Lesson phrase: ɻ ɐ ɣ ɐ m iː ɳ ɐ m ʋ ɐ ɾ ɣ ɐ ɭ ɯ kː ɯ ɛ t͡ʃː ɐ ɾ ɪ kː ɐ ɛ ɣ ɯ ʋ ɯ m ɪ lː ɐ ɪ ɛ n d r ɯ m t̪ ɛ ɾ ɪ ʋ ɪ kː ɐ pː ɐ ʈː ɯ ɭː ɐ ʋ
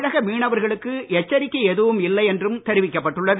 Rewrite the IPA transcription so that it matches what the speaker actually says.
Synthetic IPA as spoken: ɻ ɐ ɣ ɐ m iː ɳ ɐ ʋ ɐ ɾ ɣ ɐ ɭ ɯ kː ɯ ɛ t͡ʃː ɐ ɾ ɪ kː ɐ ɛ ð ɯ ʋ ɯ m ɪ lː ɐ ɪ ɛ n d r ɯ m t̪ ɛ ɾ ɪ ʋ ɪ kː ɐ pː ɐ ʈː ɯ ɭː ɐ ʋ